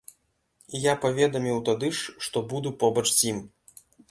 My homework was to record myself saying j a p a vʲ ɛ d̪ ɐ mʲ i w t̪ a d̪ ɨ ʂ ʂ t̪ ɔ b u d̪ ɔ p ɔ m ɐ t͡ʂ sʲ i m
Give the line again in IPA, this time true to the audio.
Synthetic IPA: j a p a vʲ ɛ d̪ ɐ mʲ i w t̪ a d̪ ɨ ʂ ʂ t̪ ɔ b u d̪ u p ɔ b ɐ t͡ʂ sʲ i m